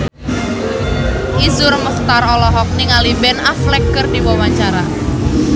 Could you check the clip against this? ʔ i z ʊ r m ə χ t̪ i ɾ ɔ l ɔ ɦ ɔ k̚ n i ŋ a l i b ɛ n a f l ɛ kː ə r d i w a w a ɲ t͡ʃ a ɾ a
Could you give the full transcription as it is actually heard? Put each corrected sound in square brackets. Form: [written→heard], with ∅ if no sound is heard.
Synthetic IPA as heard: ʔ i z ʊ r m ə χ t̪ [i→a] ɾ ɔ l ɔ ɦ ɔ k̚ n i ŋ a l i b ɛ n a f l ɛ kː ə r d i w a w a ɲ t͡ʃ a ɾ a